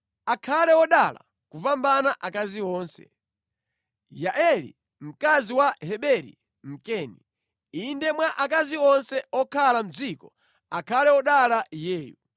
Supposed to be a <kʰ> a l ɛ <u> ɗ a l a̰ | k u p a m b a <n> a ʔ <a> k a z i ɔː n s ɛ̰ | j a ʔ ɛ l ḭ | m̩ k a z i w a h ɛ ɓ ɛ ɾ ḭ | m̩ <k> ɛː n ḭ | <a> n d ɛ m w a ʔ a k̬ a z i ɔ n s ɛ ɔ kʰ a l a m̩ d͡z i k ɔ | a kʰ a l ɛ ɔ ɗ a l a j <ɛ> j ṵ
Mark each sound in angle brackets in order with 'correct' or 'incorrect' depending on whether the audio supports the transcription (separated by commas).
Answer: correct, incorrect, correct, correct, correct, incorrect, incorrect